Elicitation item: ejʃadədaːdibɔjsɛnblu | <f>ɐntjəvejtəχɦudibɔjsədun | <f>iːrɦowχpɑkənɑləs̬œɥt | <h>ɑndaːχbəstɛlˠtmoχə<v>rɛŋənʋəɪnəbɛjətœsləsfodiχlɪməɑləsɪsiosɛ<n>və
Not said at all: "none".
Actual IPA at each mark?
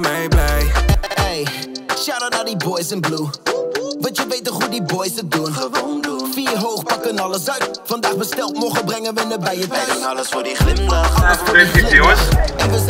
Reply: v, f, f, b, n

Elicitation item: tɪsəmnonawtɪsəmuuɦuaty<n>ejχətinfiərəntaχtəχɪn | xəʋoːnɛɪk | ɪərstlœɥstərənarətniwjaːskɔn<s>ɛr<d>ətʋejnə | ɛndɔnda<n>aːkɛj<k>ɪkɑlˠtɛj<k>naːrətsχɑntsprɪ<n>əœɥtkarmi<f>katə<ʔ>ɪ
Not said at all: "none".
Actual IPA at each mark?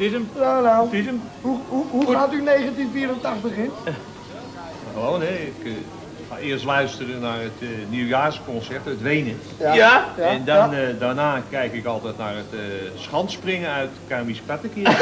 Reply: n, s, t, n, k, t, ŋ, s, k

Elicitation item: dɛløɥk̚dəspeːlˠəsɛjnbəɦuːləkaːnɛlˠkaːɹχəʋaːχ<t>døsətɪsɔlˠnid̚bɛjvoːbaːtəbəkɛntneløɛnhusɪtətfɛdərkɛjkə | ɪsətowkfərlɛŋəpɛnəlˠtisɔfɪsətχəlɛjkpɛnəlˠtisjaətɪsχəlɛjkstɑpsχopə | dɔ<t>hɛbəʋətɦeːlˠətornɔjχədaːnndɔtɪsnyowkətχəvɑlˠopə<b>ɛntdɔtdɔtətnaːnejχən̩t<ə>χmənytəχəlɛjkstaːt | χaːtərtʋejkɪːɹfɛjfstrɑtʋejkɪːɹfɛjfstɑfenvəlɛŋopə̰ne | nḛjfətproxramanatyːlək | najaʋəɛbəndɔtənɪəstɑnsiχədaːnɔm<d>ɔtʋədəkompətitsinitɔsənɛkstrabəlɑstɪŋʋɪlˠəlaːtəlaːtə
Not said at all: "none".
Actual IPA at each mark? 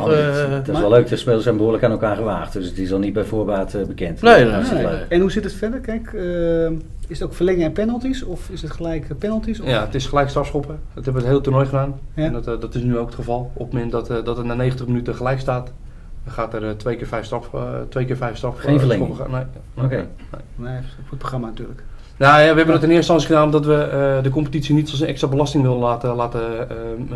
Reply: t, t, m, ə, d

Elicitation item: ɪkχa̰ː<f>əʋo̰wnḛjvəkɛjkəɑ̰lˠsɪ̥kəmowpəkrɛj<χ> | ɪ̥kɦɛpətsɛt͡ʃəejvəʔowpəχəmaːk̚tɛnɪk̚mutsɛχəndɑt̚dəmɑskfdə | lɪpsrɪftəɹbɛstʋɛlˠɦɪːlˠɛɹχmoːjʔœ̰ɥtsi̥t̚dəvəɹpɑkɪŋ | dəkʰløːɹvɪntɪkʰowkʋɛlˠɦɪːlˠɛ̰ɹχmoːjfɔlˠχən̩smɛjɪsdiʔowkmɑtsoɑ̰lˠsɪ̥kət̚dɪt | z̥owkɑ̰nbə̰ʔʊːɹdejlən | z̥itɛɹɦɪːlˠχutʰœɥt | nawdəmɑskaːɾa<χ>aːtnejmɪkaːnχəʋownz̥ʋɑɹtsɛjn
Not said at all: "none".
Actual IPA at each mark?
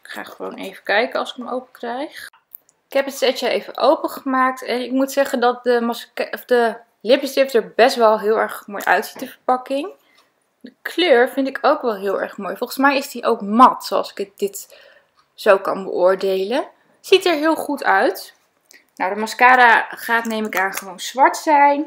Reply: χ, χ, χ

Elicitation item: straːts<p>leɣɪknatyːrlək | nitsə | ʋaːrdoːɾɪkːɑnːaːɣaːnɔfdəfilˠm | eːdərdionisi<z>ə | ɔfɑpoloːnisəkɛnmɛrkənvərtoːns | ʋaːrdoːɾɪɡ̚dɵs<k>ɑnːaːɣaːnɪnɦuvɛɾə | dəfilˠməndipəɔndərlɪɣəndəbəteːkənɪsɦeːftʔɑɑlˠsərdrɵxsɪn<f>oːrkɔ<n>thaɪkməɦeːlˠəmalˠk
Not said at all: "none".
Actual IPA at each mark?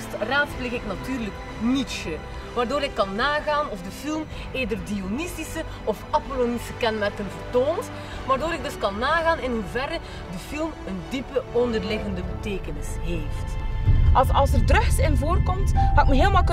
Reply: p, s, k, v, m

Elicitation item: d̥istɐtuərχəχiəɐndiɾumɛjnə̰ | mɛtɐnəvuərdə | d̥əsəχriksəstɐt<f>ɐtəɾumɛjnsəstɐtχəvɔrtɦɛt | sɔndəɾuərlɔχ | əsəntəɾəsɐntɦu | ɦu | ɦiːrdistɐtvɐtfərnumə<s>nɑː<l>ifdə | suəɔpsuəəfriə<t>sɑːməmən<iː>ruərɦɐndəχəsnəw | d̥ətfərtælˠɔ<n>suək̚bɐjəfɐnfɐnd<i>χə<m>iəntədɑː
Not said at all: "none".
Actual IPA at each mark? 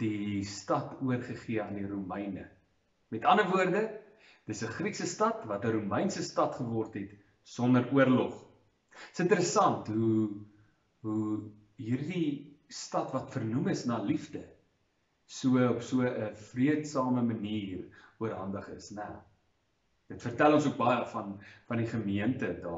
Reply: v, s, l, t, iː, n, i, m

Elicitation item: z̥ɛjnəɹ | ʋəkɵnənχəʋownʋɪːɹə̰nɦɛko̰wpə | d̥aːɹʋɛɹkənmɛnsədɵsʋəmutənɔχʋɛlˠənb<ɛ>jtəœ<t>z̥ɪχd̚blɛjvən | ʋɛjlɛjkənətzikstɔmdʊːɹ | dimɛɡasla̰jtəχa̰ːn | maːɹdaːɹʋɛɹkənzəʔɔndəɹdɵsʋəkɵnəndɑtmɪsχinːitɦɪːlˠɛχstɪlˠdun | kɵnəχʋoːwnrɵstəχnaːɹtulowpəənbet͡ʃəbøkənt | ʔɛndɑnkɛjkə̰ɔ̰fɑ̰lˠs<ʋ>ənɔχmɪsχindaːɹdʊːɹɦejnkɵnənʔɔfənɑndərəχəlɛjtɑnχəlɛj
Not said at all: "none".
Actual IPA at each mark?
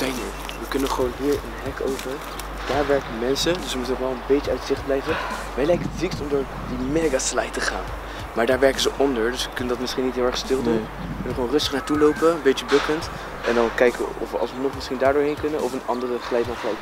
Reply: e, t, ʋ

